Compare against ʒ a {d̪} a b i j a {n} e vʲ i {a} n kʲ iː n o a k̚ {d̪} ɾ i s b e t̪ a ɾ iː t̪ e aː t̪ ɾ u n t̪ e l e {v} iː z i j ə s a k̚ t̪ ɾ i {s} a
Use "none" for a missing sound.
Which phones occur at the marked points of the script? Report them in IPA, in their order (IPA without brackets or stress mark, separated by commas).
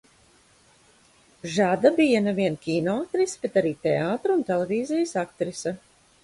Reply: d̪, n, ɛ, t̪, v, s